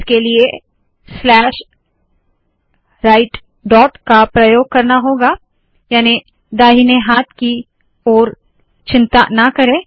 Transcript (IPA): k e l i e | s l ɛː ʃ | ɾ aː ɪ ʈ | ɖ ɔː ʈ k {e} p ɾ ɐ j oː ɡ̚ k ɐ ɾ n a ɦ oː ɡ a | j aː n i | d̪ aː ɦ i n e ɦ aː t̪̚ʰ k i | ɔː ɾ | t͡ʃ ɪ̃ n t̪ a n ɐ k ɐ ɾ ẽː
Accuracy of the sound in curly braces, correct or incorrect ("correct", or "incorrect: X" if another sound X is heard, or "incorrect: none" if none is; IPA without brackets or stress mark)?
incorrect: a